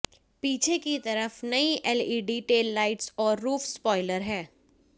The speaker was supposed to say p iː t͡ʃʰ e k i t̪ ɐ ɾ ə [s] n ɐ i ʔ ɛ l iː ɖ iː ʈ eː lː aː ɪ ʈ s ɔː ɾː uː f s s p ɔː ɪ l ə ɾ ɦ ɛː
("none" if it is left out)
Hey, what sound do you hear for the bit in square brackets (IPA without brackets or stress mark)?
f